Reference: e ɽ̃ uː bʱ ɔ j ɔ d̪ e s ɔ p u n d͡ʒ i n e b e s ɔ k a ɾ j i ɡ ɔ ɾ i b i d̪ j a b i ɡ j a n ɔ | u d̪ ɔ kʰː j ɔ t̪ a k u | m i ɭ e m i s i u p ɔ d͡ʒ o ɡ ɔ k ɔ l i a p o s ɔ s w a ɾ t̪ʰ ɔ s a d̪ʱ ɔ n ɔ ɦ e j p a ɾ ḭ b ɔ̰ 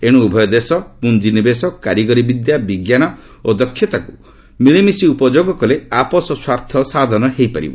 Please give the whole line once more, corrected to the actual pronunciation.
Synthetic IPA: e ɽ̃ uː bʱ ɔ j ɔ d̪ e s ɔ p u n d͡ʒ i n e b e s ɔ k a ɾ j i ɡ ɔ ɾ i b i d̪ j a b i ɡ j a n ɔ | o d̪ ɔ kʰː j ɔ t̪ a k u | m i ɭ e m i s i u p ɔ d͡ʒ o ɡ ɔ k ɔ l e a p ɔ s ɔ s w a ɾ t̪ʰ ɔ s a d̪ʱ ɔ n ɔ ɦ e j p a ɾ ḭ b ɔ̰